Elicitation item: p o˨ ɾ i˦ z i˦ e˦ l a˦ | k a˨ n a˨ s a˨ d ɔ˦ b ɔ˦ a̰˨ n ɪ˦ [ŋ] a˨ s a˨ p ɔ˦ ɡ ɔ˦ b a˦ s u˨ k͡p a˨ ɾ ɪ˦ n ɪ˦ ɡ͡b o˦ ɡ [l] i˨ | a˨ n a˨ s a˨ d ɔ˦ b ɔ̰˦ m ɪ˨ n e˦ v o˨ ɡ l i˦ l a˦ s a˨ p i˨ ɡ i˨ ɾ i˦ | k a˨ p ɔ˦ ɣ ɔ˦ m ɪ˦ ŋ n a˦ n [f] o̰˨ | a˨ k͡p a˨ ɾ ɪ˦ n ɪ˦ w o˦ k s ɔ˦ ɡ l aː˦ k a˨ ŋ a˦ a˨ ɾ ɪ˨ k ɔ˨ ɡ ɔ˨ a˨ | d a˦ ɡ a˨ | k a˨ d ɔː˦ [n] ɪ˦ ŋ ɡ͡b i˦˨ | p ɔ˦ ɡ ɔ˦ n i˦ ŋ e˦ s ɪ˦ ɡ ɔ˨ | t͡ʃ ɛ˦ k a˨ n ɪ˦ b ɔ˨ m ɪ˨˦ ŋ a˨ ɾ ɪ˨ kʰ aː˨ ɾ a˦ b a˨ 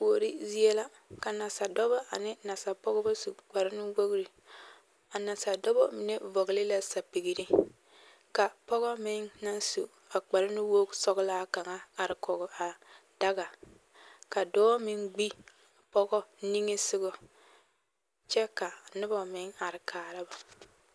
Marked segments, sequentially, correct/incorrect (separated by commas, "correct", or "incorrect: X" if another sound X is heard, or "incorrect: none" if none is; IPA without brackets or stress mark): incorrect: n, incorrect: ɾ, incorrect: s, incorrect: m